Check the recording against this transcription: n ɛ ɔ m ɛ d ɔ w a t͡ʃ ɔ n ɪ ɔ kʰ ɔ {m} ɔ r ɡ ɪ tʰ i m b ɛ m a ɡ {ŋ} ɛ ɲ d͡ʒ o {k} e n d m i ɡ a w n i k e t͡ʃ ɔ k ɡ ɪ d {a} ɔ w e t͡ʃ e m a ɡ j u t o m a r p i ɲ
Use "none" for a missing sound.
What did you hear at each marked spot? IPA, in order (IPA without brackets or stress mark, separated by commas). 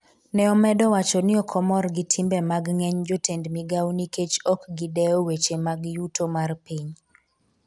m, ŋ, t, ɛ